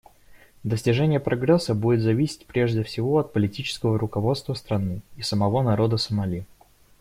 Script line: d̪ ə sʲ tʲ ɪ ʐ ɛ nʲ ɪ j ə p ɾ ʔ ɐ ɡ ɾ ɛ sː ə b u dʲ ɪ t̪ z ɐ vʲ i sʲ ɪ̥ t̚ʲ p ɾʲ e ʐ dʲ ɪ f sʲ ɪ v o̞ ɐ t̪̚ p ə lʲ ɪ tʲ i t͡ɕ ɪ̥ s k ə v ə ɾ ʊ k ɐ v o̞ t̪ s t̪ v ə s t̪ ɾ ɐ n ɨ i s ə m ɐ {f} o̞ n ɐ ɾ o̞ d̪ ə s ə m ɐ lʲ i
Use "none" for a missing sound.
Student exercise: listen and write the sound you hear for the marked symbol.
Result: v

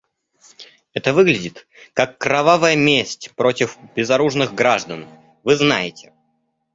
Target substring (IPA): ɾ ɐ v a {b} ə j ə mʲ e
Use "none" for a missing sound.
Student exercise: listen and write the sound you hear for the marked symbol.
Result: v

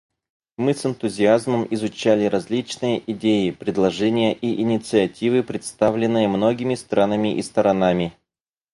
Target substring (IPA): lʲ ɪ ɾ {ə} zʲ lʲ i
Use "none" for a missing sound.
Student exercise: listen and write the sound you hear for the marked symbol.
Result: ɐ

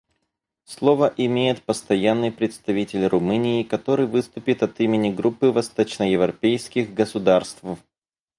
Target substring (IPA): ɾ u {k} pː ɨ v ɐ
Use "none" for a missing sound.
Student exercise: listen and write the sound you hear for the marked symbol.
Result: none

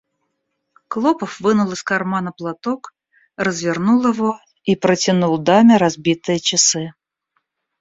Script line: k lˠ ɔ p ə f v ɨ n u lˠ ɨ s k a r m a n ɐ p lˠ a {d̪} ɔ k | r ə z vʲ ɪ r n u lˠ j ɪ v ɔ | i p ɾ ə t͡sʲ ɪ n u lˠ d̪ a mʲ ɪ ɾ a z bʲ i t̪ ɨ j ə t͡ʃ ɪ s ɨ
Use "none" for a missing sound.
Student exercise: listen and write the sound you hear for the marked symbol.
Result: t̪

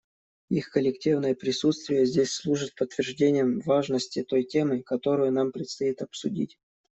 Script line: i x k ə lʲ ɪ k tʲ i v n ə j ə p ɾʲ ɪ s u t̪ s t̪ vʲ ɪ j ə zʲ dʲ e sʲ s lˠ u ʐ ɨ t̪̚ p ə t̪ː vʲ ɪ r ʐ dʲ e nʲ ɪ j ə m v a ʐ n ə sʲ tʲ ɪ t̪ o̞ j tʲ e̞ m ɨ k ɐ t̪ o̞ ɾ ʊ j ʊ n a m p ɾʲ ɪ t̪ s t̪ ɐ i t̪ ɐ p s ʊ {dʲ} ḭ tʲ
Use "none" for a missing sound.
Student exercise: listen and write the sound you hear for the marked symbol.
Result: dʲ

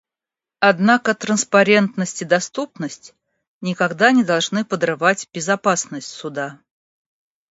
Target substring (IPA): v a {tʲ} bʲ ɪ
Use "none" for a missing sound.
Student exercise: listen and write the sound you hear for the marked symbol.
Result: tʲ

